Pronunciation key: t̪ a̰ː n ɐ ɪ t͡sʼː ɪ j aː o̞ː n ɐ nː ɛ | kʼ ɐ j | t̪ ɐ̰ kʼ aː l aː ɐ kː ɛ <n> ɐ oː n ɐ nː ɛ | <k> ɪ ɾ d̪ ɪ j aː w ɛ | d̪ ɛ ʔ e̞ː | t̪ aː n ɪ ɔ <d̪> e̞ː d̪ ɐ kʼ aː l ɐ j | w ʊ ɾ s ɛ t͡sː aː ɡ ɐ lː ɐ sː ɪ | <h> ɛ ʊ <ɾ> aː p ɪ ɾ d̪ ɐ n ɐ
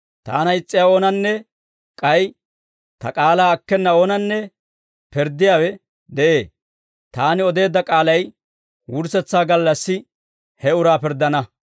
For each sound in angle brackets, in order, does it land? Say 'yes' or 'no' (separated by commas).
no, no, yes, yes, yes